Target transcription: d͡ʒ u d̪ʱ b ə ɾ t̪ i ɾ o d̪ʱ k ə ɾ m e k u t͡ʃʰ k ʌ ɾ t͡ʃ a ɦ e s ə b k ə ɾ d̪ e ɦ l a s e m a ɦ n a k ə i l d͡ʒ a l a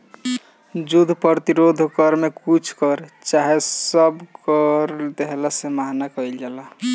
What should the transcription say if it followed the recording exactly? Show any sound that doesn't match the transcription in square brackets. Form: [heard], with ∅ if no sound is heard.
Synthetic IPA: d͡ʒ u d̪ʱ [p] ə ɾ t̪ i ɾ o d̪ʱ k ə ɾ m e k u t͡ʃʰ k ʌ ɾ t͡ʃ a ɦ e s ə b k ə ɾ d̪ e ɦ l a s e m a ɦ n a k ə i l d͡ʒ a l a